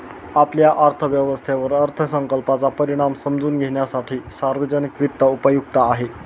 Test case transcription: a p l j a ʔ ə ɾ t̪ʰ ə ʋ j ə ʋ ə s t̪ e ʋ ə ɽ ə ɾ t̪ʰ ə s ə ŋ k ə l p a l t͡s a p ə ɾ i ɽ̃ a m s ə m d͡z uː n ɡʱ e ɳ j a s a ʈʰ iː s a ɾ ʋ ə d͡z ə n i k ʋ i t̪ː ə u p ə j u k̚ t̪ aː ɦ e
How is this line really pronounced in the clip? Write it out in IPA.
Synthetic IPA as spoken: a p l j a ʔ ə ɾ t̪ʰ ə ʋ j ə ʋ ə s t̪ʰ e ʋ ə ɾ ə ɾ t̪ʰ ə s ə ŋ k ə l p a t͡s a p ə ɾ i ɽ̃ a m s ə m d͡z uː n ɡʱ e ɳ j a s a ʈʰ iː s a ɾ ʋ ə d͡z ə n i k ʋ i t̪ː ə u p ə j u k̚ t̪ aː ɦ e